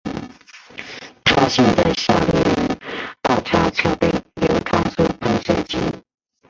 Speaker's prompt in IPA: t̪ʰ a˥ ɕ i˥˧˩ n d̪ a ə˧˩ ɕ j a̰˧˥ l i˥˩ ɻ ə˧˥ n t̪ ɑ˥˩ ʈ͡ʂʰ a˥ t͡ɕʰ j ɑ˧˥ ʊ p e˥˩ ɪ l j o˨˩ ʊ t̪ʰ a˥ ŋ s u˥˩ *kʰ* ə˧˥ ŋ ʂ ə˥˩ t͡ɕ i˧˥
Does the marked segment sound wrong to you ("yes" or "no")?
yes